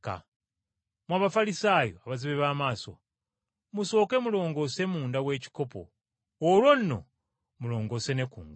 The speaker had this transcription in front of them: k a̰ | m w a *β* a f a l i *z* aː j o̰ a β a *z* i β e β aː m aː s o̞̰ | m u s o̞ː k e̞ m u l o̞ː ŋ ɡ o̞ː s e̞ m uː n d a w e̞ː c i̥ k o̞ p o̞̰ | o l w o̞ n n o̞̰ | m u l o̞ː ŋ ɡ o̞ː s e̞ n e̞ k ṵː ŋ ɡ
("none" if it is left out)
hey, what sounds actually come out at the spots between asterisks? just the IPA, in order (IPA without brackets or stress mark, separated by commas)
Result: β, s, z